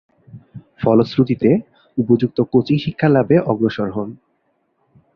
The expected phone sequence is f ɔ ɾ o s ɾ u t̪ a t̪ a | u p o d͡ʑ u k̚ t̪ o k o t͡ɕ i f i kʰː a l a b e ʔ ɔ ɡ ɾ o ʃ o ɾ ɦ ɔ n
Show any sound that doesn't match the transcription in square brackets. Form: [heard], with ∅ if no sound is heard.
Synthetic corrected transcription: f ɔ [l] o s ɾ u t̪ [i] t̪ [e] | u p o d͡ʑ u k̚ t̪ o k o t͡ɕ i [ʃ] i kʰː a l a b e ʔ ɔ ɡ ɾ o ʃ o ɾ ɦ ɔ n